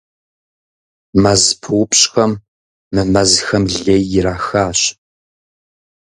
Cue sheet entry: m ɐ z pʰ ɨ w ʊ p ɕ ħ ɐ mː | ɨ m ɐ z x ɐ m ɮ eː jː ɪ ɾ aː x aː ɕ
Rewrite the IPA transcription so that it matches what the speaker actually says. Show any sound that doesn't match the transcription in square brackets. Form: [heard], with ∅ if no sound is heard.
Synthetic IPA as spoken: m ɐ z pʰ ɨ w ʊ p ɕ [x] ɐ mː | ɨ m ɐ z x ɐ m ɮ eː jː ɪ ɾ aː x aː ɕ